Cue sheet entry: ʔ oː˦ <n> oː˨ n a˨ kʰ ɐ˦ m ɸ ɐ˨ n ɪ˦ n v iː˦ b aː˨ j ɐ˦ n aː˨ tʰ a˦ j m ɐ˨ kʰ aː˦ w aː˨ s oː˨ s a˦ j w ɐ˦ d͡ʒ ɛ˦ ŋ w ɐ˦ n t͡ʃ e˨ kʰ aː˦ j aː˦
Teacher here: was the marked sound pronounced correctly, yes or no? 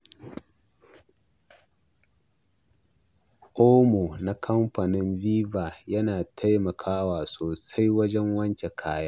no